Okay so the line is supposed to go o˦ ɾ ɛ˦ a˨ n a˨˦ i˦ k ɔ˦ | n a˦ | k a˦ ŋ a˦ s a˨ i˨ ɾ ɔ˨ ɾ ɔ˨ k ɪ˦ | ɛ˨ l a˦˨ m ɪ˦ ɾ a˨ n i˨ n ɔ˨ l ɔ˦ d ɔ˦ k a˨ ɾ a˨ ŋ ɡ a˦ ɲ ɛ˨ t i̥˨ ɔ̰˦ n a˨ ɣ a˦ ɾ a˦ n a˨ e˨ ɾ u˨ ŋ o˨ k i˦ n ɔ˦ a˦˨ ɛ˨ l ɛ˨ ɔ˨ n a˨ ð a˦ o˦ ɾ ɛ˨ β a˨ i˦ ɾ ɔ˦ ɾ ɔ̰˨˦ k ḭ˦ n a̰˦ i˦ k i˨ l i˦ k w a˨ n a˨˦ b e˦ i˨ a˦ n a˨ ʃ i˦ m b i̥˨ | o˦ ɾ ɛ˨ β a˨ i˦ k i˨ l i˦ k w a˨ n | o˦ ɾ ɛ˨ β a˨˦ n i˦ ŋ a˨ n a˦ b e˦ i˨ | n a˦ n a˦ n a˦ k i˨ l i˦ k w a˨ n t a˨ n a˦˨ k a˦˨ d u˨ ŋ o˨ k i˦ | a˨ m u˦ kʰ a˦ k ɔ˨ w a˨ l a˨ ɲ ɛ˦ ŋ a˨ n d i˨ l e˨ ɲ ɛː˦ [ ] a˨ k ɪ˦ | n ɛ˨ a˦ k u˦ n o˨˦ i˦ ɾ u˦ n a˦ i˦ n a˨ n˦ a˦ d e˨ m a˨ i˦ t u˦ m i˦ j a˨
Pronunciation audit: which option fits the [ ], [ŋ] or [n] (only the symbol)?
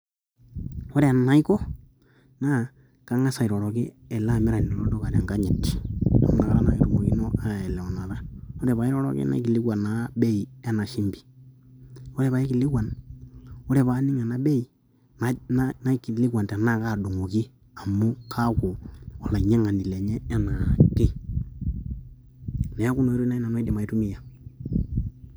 n